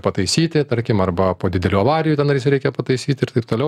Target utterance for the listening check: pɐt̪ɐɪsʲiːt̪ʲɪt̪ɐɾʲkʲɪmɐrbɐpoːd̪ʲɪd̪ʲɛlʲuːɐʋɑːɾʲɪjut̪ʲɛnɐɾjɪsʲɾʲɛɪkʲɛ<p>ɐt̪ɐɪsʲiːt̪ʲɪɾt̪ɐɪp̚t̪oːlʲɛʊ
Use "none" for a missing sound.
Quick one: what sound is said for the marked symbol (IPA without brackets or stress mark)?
p